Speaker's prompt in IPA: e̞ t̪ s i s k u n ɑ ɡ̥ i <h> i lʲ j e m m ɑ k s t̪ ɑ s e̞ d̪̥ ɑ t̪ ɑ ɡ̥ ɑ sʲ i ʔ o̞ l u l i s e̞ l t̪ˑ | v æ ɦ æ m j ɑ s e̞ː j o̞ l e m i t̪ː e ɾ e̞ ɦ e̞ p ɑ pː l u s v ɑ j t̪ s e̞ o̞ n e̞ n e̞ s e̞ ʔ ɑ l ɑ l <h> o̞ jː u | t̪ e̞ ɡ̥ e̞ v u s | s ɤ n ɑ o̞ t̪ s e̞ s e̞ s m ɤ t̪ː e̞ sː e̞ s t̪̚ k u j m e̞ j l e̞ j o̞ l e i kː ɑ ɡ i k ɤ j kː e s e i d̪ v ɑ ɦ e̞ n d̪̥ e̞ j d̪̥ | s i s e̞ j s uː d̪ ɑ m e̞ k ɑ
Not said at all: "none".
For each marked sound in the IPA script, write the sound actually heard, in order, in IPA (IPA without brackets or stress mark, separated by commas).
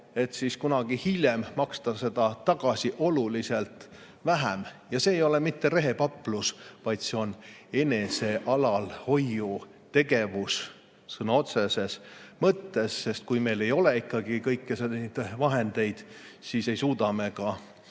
h, h